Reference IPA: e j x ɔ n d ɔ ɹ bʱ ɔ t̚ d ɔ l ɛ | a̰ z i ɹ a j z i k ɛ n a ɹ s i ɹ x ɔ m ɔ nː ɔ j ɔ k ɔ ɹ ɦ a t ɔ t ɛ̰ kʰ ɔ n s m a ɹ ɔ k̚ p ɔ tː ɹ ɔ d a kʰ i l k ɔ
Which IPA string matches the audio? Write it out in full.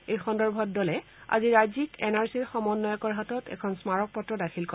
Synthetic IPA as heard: e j x ɔ n d ɔ ɹ bʱ ɔ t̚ d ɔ l ɛ | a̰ z i ɹ a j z i k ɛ n a ɹ s i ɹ x ɔ m ɔ nː ɔ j ɔ k ɔ ɹ ɦ a t ɔ t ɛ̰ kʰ ɔ n s m a ɹ ɔ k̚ p ɔ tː ɹ ɔ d a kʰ i l k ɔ